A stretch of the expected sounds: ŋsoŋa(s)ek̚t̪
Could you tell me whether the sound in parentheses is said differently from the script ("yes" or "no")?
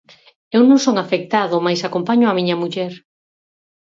yes